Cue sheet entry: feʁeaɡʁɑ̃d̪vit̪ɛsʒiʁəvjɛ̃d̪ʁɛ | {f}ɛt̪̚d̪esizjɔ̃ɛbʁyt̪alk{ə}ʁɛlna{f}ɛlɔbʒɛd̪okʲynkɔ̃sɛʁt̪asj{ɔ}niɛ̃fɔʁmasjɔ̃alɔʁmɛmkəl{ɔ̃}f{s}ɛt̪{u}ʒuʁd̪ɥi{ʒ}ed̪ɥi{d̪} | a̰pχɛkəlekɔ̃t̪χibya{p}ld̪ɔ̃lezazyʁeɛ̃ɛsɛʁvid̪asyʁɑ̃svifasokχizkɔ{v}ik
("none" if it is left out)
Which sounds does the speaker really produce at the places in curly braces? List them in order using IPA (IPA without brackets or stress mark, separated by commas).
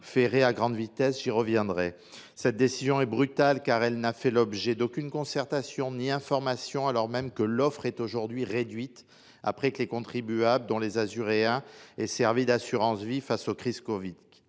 s, a, f, ɔ̃, ɔ, χ, o, ʁ, t̪, b, v